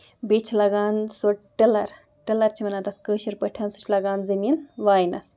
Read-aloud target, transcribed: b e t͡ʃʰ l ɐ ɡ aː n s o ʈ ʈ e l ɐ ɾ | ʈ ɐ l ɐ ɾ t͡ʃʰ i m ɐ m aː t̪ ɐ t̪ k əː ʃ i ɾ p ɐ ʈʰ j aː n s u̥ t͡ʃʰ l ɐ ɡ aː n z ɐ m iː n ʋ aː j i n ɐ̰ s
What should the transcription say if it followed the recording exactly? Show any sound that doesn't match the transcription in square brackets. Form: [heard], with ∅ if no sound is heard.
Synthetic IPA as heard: b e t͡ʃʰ l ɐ ɡ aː n s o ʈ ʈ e l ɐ ɾ | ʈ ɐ l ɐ ɾ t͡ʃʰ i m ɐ [n] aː t̪ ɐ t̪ k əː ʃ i ɾ p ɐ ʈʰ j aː n s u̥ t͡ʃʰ l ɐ ɡ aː n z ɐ m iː n ʋ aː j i n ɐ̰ s

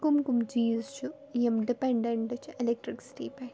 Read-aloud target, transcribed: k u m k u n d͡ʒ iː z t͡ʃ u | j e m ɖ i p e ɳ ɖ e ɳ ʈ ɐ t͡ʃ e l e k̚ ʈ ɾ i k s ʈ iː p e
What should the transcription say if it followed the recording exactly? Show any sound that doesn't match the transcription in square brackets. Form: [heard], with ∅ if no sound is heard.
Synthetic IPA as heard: k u m k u [m] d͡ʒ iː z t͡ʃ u | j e m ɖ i p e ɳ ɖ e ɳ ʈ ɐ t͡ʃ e l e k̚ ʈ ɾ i k s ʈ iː p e

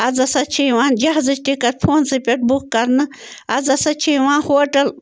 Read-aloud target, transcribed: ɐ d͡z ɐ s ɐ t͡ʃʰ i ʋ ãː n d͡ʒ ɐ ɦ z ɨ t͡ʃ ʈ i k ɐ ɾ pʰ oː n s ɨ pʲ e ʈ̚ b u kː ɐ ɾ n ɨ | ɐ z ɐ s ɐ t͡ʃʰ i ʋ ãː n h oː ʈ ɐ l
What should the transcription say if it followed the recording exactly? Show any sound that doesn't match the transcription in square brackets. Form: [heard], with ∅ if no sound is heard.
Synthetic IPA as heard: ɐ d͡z ɐ s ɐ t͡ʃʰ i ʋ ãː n d͡ʒ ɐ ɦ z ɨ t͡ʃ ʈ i k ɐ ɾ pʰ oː n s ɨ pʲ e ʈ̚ b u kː ɐ ɾ n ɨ | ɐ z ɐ s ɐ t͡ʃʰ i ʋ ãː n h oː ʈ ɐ l

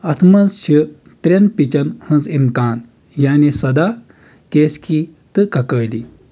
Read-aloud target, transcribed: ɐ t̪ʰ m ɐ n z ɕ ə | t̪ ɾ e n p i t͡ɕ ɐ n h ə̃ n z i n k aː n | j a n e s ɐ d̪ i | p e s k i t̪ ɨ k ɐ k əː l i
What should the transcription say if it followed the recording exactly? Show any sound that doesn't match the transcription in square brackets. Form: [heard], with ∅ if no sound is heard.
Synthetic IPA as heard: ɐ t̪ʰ m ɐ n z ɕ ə | t̪ ɾ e n p i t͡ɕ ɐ n h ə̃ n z i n k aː n | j a n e s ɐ d̪ [a] | [k] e s k i t̪ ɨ k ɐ k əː l i

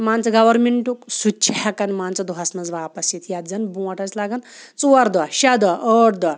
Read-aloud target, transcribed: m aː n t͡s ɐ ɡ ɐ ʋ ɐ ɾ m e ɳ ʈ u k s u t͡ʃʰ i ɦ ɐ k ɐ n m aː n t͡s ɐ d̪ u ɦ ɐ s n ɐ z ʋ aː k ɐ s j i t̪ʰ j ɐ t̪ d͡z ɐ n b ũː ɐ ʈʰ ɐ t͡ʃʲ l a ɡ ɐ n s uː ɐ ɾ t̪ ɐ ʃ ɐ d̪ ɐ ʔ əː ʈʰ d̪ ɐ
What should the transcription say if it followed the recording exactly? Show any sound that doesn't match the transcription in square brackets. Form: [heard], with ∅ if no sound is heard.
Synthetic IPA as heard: m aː n t͡s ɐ ɡ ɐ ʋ ɐ ɾ m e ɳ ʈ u k s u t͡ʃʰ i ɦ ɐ k ɐ n m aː n t͡s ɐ d̪ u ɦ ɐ s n ɐ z ʋ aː [p] ɐ s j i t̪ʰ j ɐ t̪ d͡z ɐ n b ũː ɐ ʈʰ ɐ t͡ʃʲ l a ɡ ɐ n [t͡s] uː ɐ ɾ [d̪] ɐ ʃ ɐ d̪ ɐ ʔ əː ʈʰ d̪ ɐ

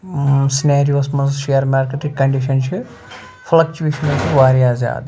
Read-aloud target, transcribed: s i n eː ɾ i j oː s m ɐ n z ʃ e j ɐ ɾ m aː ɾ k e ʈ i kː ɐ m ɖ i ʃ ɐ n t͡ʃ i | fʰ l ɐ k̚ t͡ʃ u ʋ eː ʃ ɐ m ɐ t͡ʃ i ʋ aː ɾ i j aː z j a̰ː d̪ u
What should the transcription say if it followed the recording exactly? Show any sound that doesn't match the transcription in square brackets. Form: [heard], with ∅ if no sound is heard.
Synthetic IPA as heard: s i n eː ɾ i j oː s m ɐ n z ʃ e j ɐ ɾ m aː ɾ k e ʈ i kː ɐ [ɳ] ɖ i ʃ ɐ n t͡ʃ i | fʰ l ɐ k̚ t͡ʃ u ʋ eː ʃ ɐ [n] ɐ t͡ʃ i ʋ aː ɾ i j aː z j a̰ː d̪ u

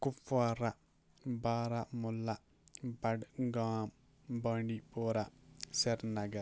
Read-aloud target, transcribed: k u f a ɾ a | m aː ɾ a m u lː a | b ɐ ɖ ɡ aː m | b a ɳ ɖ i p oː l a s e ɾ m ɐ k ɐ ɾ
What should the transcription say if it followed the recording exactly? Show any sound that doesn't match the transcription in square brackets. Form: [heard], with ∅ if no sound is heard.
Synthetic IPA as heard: k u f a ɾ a | [b] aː ɾ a m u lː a | b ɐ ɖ ɡ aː m | b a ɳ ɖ i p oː [ɾ] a s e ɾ [n] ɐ [ɡ] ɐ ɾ

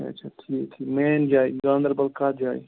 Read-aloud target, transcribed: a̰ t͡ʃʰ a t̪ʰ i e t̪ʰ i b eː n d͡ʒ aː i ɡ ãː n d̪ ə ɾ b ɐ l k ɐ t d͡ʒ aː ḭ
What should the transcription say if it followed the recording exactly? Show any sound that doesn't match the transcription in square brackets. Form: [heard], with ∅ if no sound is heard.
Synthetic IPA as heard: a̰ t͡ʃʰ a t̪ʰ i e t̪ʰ i [m] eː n d͡ʒ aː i ɡ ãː n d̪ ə ɾ b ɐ l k [a] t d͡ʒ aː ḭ

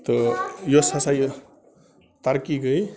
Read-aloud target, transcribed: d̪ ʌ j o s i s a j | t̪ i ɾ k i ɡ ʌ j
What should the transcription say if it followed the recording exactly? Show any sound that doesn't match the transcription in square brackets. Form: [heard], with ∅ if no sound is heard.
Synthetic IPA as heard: [t̪] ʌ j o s [a] s a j | t̪ [a] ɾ k i ɡ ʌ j

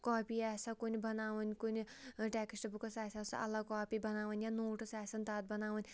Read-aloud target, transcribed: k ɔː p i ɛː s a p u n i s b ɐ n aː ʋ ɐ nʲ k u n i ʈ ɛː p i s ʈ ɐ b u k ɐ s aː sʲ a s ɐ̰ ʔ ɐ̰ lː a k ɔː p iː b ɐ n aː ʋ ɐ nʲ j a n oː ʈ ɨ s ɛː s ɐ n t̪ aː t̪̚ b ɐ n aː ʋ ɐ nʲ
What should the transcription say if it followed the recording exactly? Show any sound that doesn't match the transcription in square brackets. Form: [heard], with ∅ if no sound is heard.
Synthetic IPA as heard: k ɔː p i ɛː s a [k] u n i [∅] b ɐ n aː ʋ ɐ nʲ k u n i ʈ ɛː [k] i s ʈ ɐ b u k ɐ s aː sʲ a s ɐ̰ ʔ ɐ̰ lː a k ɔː p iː b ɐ n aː ʋ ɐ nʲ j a n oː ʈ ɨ s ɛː s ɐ n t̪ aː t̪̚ b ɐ n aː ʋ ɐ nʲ

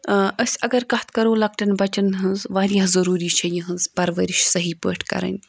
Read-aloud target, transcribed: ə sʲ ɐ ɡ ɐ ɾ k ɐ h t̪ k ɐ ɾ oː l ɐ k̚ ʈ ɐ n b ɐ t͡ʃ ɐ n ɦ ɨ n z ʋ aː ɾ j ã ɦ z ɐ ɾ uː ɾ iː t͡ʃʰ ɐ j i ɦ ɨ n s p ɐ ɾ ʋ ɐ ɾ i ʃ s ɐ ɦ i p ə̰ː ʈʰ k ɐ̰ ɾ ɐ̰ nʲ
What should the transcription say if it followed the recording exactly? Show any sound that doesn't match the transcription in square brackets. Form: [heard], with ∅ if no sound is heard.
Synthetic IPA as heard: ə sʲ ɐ ɡ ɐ ɾ k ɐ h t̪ k ɐ ɾ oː l ɐ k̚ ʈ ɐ n b ɐ t͡ʃ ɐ n ɦ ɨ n z ʋ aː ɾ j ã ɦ z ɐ ɾ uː ɾ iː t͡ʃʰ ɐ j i ɦ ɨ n [z] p ɐ ɾ ʋ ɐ ɾ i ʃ s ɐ ɦ i p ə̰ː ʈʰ k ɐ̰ ɾ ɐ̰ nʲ

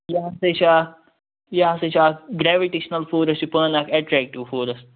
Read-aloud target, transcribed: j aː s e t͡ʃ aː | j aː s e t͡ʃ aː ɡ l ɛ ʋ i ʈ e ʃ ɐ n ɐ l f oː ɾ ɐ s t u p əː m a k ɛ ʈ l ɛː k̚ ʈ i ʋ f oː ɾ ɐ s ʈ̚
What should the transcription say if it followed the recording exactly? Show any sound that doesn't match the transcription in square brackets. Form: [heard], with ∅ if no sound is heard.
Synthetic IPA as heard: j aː s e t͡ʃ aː | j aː s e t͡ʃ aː ɡ [ɾ] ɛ ʋ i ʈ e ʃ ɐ n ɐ l f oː ɾ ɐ s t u p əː [n] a k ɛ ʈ [ɾ] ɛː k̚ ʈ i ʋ f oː ɾ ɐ s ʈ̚

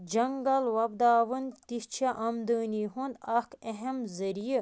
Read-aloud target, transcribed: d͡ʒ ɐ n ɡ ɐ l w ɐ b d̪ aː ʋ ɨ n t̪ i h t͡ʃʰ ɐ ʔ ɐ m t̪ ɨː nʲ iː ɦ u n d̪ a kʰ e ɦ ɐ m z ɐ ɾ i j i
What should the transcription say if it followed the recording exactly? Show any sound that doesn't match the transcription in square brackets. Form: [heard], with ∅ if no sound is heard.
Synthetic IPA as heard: d͡ʒ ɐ [ŋ] ɡ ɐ l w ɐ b d̪ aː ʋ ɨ n t̪ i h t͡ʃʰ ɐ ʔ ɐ m [d̪] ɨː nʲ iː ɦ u n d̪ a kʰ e ɦ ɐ m z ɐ ɾ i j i

